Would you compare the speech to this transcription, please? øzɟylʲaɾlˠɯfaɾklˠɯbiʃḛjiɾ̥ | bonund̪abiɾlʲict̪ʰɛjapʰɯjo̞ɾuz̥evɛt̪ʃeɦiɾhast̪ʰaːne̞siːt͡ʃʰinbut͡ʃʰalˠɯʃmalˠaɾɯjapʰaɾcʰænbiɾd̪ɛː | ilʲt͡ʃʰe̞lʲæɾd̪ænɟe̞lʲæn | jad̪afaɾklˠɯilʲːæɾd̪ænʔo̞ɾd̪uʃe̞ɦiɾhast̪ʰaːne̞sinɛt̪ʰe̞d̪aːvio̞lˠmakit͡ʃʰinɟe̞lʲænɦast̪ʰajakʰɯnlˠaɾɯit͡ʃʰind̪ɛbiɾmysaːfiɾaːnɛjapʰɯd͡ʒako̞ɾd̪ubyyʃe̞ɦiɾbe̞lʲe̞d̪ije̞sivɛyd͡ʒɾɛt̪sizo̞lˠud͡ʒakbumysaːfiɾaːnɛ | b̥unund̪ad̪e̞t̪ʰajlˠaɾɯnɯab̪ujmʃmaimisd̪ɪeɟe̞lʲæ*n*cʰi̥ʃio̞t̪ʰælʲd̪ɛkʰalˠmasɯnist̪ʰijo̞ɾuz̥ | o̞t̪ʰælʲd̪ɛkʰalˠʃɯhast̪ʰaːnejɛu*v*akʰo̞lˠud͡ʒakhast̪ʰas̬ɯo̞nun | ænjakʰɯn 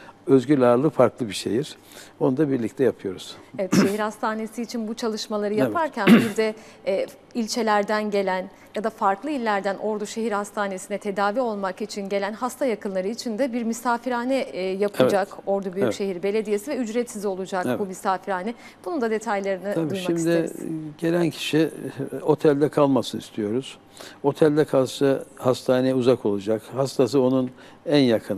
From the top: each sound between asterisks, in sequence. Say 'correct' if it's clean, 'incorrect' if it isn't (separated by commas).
correct, incorrect